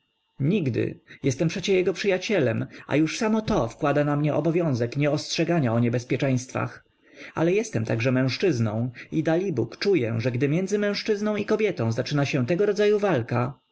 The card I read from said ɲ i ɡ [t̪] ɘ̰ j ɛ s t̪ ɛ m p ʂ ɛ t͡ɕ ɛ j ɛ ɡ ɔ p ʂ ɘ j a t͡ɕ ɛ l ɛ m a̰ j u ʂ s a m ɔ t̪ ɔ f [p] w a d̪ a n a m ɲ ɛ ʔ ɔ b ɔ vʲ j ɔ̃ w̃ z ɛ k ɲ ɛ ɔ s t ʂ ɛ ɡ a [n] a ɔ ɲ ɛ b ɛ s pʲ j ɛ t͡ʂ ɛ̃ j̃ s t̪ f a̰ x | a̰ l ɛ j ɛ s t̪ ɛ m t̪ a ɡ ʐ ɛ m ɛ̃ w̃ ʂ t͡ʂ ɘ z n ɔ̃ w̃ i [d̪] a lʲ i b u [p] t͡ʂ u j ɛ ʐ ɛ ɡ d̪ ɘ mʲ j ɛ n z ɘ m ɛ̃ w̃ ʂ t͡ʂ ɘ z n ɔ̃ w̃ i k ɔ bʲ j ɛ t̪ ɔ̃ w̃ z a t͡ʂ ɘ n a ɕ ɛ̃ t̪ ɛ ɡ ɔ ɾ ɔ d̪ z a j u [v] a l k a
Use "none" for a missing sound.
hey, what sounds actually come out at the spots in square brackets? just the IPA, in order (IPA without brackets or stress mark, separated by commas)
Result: d̪, k, ɲ, d̪, k, v